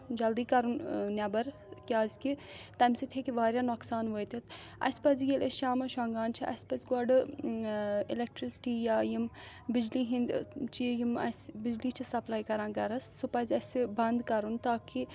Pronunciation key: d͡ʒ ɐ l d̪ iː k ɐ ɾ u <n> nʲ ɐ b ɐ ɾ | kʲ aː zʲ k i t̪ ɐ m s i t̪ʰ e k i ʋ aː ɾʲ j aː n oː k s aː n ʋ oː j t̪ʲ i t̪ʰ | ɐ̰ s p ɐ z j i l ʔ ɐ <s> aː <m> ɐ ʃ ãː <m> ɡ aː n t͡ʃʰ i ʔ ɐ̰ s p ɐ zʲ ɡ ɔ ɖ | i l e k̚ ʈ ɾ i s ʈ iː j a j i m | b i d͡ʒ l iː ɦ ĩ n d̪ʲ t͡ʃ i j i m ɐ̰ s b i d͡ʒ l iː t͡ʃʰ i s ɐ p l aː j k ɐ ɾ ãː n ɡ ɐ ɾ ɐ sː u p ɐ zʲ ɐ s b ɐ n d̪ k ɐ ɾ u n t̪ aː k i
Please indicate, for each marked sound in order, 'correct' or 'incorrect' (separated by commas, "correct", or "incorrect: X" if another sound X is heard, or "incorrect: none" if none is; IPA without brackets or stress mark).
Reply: correct, incorrect: ʃ, correct, incorrect: ŋ